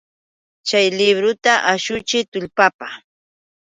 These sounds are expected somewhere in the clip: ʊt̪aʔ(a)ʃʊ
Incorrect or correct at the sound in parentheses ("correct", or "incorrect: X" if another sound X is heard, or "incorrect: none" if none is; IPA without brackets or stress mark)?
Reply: correct